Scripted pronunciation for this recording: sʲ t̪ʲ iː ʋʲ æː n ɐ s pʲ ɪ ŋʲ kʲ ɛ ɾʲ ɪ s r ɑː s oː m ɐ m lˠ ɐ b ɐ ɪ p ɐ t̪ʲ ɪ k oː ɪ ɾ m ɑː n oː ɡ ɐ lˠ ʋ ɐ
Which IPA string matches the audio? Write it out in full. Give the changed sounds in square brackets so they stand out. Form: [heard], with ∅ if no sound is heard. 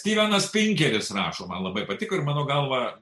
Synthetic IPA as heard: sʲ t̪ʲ iː ʋʲ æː n ɐ s pʲ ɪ ŋʲ kʲ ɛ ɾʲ ɪ s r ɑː [ʃ] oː m ɐ [n] lˠ ɐ b ɐ ɪ p ɐ t̪ʲ ɪ k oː ɪ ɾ m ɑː n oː ɡ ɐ lˠ ʋ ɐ